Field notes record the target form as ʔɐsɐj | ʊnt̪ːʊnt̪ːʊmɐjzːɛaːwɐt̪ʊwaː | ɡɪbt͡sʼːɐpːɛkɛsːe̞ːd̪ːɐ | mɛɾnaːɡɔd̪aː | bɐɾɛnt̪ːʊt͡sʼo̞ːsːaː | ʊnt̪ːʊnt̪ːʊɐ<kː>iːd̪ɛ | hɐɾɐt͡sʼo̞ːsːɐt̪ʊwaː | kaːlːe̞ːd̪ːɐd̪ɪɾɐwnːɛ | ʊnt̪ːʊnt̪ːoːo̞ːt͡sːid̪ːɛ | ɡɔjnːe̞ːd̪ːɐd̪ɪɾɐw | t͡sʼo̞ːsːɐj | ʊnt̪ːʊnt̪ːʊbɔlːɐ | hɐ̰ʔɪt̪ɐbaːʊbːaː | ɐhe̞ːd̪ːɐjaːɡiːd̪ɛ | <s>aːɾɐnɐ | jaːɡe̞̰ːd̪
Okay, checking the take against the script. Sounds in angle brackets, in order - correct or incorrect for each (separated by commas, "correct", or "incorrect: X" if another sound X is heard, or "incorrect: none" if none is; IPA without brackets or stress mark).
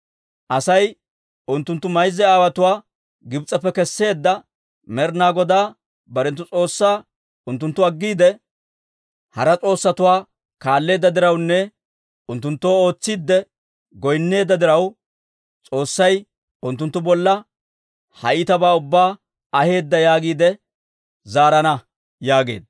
incorrect: ɡː, incorrect: z